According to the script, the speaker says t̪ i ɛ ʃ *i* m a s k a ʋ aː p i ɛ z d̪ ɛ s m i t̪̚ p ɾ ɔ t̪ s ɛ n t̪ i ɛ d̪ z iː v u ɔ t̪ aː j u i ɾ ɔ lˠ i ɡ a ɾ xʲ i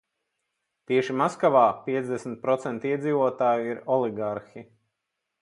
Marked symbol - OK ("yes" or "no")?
yes